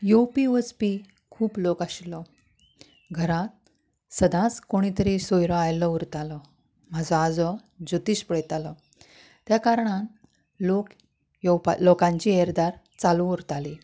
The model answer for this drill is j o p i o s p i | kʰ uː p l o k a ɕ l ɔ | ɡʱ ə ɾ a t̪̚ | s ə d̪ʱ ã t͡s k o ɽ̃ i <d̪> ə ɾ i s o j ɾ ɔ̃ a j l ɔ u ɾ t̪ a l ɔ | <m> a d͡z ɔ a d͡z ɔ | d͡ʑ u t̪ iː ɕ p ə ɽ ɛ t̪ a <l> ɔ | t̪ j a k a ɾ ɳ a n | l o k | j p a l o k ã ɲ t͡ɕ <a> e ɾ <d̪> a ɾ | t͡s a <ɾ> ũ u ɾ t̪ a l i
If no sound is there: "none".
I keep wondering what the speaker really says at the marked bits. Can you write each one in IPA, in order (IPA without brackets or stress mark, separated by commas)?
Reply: t̪, m, l, i, d̪, l